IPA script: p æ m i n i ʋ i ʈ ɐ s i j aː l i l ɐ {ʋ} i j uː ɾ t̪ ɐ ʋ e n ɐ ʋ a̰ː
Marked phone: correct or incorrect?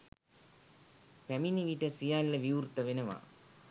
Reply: correct